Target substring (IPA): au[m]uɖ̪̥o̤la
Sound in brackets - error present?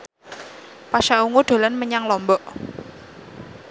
yes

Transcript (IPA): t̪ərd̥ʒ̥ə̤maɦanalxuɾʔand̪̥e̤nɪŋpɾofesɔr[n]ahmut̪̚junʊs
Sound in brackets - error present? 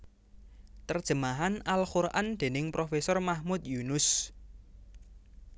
yes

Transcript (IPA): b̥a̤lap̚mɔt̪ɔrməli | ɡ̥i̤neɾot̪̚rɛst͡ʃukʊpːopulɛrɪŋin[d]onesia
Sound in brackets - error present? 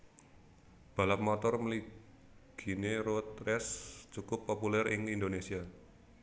no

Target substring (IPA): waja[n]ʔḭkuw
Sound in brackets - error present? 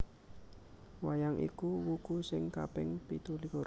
yes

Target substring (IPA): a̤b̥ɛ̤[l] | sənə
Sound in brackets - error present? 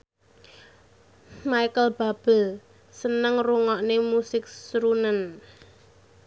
no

